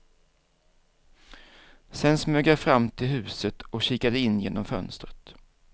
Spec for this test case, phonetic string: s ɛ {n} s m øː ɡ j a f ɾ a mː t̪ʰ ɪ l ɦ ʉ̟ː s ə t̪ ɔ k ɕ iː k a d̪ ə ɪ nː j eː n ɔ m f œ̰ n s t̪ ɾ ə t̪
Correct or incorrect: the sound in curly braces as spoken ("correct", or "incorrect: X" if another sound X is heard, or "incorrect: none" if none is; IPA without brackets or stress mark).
correct